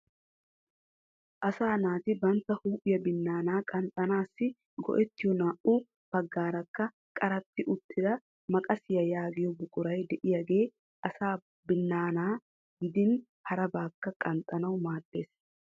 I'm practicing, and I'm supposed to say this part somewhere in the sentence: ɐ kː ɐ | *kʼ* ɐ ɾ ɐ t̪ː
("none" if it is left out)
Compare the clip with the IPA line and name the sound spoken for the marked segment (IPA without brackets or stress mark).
kʼ